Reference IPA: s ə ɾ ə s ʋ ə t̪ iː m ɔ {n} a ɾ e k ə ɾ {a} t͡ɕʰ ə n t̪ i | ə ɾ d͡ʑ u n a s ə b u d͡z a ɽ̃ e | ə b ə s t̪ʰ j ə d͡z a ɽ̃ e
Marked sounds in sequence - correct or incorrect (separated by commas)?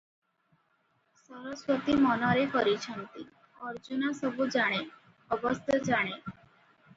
correct, incorrect